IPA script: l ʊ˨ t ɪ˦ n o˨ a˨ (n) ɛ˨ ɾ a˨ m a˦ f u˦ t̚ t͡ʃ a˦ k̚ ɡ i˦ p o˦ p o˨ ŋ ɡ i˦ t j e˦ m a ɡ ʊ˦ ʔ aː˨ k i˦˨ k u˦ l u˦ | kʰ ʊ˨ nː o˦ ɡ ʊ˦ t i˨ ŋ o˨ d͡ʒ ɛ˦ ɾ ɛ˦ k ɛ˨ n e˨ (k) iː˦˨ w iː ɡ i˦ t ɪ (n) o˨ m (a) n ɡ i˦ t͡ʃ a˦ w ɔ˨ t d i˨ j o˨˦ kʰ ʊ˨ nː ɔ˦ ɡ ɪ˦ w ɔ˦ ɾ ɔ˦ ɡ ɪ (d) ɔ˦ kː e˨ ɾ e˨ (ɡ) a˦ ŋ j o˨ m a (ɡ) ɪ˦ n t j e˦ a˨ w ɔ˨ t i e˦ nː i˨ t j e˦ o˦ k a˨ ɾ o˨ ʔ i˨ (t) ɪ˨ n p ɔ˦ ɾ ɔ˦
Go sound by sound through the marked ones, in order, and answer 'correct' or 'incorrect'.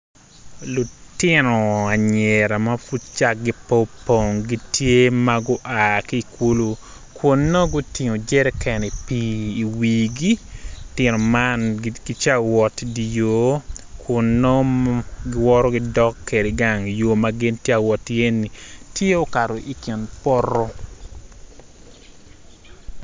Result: incorrect, incorrect, correct, correct, correct, correct, correct, incorrect

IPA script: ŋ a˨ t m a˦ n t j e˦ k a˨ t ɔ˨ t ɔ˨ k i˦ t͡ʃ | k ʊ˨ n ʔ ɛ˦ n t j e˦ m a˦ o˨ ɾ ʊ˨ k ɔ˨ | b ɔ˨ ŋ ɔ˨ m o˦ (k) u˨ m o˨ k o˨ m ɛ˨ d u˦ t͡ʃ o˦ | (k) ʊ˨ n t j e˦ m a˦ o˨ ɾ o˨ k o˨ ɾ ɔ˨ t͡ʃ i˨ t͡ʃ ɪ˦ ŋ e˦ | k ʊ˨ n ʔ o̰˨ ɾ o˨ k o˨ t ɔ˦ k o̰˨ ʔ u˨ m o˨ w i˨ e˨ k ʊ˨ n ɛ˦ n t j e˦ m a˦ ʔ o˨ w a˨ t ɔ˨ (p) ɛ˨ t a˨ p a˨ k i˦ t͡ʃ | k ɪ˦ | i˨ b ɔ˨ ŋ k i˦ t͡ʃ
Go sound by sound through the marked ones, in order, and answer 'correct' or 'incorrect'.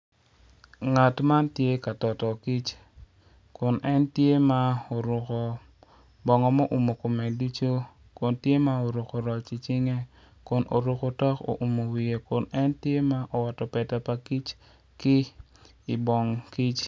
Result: incorrect, correct, correct

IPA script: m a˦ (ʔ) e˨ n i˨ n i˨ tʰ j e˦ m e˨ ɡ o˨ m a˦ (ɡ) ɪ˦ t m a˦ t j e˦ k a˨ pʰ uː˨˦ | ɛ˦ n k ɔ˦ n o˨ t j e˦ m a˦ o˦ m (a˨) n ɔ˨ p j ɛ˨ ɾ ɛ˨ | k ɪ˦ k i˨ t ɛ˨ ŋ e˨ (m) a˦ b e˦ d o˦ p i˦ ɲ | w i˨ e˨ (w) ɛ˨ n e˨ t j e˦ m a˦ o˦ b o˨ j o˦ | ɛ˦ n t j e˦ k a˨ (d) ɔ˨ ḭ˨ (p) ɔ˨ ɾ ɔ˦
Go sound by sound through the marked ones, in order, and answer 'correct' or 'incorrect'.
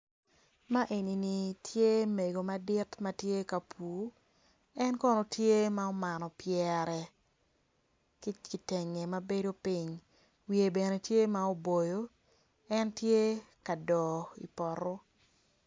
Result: correct, incorrect, correct, correct, incorrect, correct, correct

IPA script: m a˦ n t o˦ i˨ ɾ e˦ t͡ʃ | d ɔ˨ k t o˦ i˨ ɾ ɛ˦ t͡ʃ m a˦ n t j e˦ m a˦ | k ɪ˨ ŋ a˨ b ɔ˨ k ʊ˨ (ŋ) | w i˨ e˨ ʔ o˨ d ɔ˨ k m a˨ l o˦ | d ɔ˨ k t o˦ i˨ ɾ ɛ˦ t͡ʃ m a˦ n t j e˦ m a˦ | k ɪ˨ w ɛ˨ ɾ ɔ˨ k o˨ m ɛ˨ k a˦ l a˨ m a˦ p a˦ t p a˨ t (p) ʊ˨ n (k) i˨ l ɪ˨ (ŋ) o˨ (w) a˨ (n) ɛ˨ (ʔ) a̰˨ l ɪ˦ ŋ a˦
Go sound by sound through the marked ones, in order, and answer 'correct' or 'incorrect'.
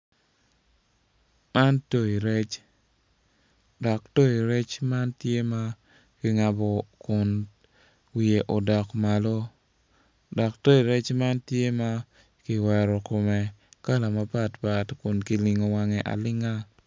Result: incorrect, incorrect, correct, correct, correct, incorrect, correct

